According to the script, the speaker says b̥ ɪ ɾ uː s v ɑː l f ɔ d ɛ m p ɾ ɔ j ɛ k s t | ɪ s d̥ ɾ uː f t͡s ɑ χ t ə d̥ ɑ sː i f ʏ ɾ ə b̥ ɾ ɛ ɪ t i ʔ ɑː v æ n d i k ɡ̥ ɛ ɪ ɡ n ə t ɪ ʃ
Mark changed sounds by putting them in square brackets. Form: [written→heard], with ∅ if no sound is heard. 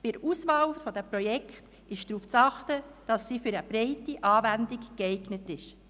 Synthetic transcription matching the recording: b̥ ɪ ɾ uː s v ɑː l f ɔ d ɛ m p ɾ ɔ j ɛ k [s→χ] t | ɪ [s→ʃ] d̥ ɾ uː f t͡s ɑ χ t ə d̥ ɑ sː i f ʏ ɾ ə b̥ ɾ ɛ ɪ t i ʔ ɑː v æ n d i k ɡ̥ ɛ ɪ ɡ n ə t ɪ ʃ